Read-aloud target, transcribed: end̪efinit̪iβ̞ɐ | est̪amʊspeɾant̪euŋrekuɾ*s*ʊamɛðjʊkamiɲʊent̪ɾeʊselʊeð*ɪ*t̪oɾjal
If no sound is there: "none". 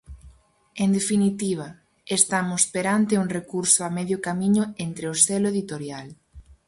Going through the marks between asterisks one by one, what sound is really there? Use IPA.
s, i

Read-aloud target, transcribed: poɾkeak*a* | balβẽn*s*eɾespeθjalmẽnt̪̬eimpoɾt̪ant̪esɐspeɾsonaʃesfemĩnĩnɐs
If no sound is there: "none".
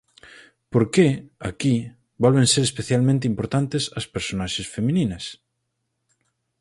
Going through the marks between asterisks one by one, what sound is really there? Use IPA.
i, s

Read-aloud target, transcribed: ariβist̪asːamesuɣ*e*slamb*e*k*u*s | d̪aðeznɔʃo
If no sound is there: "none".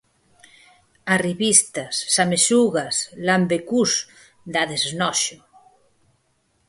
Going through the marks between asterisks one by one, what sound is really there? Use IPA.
a, e, u

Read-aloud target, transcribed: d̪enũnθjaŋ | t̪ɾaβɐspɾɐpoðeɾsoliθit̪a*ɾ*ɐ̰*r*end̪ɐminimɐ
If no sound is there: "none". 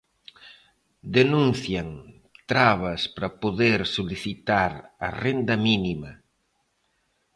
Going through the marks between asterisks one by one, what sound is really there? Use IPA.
ɾ, r

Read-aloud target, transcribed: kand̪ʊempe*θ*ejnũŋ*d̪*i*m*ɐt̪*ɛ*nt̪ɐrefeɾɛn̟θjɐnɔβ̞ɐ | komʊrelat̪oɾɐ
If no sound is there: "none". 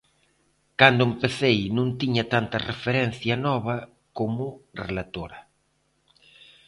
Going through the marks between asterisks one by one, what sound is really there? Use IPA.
θ, t̪, ɲ, a

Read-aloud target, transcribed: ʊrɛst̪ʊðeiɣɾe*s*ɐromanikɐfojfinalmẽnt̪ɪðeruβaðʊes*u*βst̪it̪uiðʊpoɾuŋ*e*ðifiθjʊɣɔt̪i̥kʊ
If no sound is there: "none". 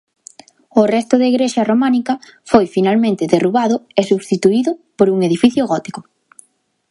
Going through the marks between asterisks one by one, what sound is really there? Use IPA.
ʃ, u, e

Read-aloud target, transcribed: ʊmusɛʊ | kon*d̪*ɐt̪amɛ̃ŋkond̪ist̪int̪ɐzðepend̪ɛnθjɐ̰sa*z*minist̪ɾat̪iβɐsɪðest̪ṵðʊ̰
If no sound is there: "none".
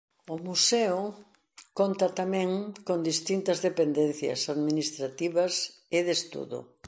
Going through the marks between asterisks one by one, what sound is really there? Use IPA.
t̪, ð

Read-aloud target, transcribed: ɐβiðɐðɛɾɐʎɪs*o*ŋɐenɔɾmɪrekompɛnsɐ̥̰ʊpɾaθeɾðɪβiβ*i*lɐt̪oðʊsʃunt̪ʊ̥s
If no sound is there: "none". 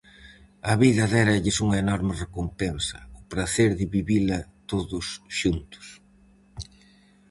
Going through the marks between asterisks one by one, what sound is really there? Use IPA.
u, i

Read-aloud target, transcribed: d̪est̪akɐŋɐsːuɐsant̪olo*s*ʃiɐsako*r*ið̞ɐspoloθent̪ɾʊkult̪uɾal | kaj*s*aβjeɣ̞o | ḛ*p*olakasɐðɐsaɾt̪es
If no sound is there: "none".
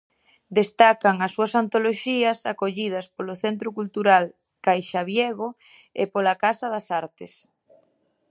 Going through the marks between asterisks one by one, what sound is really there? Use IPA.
none, ʎ, ʃ, p

